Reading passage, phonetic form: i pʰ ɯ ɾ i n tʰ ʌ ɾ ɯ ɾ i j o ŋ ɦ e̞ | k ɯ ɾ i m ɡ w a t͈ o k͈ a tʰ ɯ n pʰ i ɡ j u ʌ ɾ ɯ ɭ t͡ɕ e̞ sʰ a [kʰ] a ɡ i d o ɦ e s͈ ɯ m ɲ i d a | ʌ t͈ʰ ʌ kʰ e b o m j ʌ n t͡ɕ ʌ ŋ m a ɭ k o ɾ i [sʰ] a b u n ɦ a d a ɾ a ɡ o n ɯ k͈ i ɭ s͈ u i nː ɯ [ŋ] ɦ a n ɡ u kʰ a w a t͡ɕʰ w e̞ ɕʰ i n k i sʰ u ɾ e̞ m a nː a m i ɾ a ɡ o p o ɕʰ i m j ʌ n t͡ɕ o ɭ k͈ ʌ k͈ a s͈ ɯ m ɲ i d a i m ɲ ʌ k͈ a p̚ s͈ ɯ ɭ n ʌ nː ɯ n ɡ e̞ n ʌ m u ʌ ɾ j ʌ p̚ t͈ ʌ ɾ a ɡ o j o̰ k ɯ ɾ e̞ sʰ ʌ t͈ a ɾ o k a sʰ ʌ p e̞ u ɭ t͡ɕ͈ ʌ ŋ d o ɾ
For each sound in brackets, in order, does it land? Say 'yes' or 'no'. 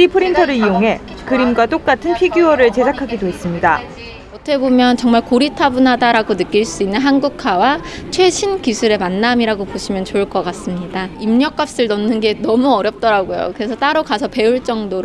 yes, no, no

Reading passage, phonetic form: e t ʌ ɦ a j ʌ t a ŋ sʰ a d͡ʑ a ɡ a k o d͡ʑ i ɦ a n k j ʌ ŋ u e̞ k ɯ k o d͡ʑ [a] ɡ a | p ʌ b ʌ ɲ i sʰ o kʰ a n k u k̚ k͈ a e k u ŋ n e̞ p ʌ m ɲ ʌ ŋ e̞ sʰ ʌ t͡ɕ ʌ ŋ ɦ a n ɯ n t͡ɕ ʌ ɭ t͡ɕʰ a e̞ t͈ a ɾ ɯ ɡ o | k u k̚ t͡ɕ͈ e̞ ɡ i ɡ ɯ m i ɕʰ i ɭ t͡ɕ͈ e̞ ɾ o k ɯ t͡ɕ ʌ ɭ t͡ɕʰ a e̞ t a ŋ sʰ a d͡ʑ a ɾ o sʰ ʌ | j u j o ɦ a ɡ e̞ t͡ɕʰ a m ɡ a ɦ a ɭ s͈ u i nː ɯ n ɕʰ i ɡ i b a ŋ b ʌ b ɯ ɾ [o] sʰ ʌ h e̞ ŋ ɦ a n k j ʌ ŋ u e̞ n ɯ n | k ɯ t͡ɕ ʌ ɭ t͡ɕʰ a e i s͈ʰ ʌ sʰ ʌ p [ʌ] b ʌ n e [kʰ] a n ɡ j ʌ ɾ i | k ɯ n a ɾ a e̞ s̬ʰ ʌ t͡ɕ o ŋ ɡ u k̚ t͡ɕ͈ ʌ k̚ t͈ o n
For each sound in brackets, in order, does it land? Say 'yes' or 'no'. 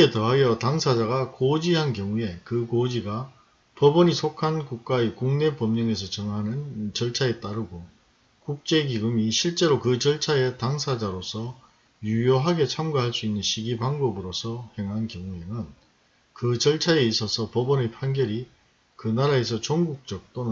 no, yes, yes, no

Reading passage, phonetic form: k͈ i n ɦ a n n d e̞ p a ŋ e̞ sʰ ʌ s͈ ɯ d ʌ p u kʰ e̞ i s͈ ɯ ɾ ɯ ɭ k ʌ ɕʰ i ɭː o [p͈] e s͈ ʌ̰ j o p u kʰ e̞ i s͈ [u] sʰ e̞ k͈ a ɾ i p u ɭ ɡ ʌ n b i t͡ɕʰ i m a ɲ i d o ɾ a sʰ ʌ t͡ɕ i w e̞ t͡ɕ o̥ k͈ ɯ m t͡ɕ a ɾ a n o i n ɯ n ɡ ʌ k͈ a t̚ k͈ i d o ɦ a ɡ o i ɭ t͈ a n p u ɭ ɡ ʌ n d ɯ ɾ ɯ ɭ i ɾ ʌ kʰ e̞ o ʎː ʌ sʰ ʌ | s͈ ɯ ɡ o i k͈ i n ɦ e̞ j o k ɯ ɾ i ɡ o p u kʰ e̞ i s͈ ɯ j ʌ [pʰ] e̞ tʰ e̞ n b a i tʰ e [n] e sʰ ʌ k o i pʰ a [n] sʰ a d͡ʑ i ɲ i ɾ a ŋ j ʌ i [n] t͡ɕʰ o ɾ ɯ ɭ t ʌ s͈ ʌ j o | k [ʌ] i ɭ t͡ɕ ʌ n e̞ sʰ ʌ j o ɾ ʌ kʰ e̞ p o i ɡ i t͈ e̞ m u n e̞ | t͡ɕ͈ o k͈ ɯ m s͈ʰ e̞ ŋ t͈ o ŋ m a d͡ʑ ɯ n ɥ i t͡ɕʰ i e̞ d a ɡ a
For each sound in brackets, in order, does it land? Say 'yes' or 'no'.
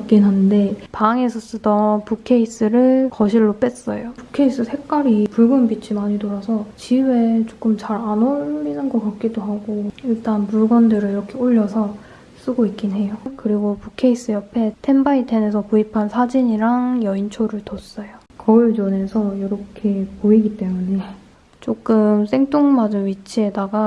yes, no, yes, yes, yes, yes, yes

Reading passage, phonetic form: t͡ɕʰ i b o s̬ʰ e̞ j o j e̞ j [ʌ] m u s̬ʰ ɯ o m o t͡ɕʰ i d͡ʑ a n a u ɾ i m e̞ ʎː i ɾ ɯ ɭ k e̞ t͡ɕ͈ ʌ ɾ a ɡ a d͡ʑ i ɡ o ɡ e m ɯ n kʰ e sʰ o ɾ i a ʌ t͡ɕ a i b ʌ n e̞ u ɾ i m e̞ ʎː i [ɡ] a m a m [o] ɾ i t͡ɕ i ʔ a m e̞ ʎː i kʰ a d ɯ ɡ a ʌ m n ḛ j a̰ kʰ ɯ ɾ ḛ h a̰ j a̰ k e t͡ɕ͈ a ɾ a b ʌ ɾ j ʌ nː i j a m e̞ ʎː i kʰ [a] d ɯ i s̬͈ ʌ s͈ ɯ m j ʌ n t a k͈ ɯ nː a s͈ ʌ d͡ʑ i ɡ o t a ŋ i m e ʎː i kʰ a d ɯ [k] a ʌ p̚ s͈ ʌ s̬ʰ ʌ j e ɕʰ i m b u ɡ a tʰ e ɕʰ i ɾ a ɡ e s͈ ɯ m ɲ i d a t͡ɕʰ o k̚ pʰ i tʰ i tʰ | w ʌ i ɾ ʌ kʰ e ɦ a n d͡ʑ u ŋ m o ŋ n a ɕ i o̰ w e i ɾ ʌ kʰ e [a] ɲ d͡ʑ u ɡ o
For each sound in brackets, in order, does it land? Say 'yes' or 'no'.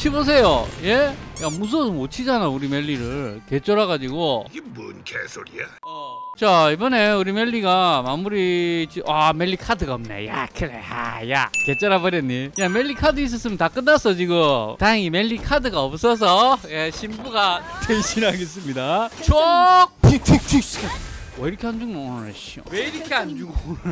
no, yes, no, yes, no, yes

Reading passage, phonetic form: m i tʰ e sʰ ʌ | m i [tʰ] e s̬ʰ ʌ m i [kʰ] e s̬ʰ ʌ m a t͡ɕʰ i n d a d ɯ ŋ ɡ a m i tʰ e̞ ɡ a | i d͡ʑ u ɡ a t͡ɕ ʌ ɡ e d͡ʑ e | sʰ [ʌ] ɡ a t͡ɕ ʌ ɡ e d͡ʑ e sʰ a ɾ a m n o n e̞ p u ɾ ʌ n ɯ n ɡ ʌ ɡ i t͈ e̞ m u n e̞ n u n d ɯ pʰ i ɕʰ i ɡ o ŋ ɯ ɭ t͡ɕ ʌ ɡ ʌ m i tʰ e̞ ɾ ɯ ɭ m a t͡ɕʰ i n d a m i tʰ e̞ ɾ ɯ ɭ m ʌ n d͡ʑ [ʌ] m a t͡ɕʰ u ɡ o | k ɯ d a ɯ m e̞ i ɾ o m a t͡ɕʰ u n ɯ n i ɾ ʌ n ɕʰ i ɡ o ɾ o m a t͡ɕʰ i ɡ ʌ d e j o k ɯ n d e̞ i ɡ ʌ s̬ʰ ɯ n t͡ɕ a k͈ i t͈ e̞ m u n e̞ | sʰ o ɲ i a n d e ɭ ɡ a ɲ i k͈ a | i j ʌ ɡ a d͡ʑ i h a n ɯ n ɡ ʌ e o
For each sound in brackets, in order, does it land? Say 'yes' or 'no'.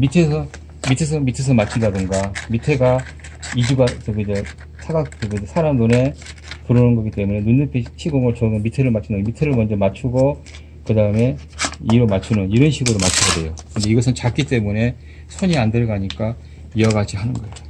yes, no, no, yes

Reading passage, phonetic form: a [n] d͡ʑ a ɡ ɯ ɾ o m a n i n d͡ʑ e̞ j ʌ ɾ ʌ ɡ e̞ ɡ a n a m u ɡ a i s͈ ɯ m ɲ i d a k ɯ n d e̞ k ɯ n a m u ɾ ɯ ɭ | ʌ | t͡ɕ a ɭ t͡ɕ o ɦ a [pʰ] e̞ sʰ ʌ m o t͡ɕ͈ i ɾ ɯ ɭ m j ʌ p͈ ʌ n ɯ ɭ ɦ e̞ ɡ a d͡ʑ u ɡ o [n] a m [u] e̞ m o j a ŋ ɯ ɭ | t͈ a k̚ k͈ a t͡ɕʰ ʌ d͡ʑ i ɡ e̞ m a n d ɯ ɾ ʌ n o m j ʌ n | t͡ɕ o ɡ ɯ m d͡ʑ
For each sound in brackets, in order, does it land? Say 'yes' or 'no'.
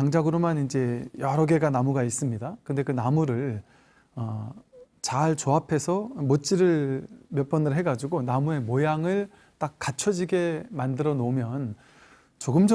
no, yes, yes, yes

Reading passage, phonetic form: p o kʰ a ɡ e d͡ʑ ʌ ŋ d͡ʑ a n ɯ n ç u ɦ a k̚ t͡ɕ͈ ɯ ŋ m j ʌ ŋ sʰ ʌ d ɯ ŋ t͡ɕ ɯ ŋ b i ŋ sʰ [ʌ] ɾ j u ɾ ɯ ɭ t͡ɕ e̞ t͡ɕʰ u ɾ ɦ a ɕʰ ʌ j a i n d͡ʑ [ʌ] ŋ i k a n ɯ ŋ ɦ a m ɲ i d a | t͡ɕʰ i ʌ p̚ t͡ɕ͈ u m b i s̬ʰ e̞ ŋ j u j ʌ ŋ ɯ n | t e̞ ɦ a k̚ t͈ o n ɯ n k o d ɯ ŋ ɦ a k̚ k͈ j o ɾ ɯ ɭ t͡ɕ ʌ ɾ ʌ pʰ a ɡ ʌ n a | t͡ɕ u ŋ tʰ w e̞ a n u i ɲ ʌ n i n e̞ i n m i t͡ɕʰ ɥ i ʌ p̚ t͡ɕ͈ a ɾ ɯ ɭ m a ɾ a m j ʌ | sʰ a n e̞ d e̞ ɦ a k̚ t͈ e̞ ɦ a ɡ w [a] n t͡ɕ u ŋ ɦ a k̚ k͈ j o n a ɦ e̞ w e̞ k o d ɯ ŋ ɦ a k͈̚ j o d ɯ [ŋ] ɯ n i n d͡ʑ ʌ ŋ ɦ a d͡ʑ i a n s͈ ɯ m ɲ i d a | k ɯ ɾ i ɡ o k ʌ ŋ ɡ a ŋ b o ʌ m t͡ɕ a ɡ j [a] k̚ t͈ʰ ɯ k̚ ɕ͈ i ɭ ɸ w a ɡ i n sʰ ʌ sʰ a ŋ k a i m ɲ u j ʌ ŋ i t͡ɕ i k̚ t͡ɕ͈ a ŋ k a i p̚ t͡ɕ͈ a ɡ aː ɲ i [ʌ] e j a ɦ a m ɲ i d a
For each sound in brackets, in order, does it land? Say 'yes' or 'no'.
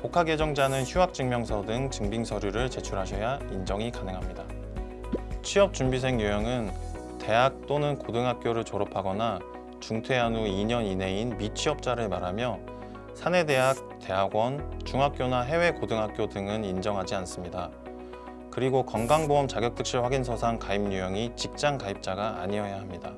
yes, yes, no, yes, no, yes

